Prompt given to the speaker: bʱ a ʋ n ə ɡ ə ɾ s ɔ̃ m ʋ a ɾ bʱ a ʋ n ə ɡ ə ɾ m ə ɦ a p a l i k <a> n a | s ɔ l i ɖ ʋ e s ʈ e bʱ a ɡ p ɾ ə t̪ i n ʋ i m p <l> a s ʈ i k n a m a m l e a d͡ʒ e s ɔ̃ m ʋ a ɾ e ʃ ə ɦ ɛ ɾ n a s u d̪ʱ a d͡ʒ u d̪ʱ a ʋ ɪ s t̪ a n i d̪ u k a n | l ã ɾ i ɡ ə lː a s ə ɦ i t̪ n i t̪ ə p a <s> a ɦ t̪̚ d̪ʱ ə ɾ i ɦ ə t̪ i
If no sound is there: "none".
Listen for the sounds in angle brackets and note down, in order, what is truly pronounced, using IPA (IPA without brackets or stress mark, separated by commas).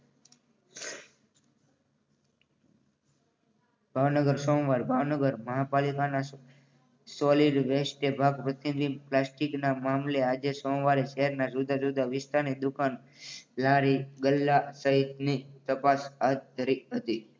a, l, s